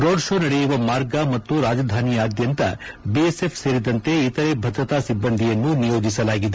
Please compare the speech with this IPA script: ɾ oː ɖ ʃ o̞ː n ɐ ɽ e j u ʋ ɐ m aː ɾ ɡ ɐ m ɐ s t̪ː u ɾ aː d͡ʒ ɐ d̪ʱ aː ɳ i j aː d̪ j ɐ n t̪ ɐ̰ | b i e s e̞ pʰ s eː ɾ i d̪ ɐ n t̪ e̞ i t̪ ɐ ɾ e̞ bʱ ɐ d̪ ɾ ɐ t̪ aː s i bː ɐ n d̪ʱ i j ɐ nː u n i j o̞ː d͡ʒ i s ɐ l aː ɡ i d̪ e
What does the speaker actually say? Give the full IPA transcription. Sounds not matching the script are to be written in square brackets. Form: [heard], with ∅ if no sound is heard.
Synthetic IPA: ɾ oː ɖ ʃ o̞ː n ɐ ɽ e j u ʋ ɐ m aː ɾ ɡ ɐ m ɐ [∅] t̪ː u ɾ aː d͡ʒ ɐ d̪ʱ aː [n] i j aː d̪ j ɐ n t̪ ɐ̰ | b i e s e̞ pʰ s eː ɾ i d̪ ɐ n t̪ e̞ i t̪ ɐ ɾ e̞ bʱ ɐ d̪ ɾ ɐ t̪ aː s i bː ɐ n d̪ʱ i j ɐ nː u n i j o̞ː d͡ʒ i s ɐ l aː ɡ i d̪ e